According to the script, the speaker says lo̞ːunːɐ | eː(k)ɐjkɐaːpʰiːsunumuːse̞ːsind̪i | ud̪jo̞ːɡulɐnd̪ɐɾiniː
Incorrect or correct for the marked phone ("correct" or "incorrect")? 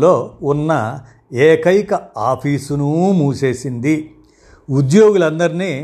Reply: correct